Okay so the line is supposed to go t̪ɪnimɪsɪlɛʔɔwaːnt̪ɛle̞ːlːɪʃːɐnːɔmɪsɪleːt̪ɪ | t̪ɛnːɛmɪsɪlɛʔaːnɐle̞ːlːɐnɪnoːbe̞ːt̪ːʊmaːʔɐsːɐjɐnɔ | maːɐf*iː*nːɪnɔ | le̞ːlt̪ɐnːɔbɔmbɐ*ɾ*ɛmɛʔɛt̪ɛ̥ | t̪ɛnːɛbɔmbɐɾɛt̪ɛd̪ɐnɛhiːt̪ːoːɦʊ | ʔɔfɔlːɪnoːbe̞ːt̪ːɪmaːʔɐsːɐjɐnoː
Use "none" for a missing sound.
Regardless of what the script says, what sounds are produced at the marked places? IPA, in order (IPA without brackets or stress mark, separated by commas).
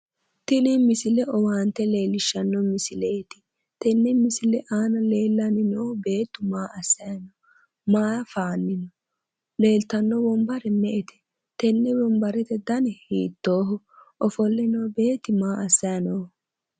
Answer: aː, ɾ